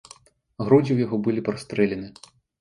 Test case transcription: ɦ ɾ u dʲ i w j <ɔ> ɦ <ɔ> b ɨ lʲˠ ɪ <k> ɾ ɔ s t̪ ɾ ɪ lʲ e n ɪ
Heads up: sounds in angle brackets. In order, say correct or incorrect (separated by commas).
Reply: correct, correct, incorrect